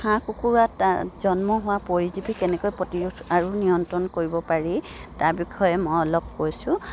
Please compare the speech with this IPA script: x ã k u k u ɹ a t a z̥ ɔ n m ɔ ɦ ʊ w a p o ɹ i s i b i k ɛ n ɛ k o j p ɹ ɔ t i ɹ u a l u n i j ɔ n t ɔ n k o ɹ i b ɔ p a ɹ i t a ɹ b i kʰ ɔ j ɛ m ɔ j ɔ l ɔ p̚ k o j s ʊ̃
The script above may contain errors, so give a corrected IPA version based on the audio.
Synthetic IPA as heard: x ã k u k u ɹ a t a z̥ ɔ n m ɔ ɦ ʊ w a p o ɹ i z i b i k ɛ n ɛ k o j p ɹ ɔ t i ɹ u a ɹ u n i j ɔ n t ɔ n k o ɹ i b ɔ p a ɹ i t a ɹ b i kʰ ɔ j ɛ m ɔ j ɔ l ɔ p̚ k o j s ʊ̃